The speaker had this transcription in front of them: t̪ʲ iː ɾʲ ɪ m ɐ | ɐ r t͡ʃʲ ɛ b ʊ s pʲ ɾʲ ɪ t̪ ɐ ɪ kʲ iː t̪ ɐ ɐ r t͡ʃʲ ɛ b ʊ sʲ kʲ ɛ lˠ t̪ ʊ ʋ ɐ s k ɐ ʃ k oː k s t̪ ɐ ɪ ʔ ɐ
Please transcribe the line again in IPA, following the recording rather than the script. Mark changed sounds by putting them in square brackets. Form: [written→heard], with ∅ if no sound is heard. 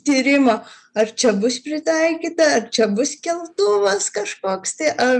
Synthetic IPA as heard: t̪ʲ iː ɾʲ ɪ m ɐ | ɐ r t͡ʃʲ ɛ b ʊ s pʲ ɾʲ ɪ t̪ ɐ ɪ kʲ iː t̪ ɐ ɐ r t͡ʃʲ ɛ b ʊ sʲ kʲ ɛ lˠ t̪ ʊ ʋ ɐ s k ɐ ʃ k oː k s t̪ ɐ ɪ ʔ ɐ

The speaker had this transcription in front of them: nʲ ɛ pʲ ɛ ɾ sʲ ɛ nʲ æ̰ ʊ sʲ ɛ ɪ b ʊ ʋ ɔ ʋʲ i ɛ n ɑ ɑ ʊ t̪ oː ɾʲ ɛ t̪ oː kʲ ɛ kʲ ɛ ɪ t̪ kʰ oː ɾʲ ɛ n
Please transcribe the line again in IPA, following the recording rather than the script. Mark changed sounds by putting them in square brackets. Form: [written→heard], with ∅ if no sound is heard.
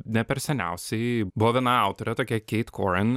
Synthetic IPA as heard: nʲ ɛ pʲ ɛ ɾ sʲ ɛ nʲ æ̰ ʊ sʲ ɛ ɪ b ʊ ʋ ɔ ʋʲ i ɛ n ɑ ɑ ʊ t̪ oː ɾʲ ɛ t̪ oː kʲ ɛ kʲ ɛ ɪ t̪ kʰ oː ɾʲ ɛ n

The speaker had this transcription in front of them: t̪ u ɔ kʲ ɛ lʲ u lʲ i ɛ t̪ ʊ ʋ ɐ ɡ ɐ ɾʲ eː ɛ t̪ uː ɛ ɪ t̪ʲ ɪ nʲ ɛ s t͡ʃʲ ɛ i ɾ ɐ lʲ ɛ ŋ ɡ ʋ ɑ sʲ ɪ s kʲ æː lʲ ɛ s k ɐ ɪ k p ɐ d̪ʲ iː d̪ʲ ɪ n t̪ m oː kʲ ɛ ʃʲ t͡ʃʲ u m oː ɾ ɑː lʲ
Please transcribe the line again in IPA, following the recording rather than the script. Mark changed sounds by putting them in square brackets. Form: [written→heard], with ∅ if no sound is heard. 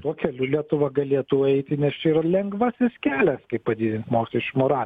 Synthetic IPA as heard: t̪ u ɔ kʲ ɛ lʲ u lʲ i ɛ t̪ ʊ ʋ ɐ ɡ ɐ [ɾʲ→lʲ] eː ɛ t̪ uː ɛ ɪ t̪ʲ ɪ nʲ ɛ s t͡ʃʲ ɛ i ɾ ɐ lʲ ɛ ŋ ɡ ʋ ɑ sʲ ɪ s kʲ æː lʲ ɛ s k ɐ ɪ [k→p] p ɐ d̪ʲ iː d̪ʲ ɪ n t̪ m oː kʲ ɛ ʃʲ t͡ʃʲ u m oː ɾ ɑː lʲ

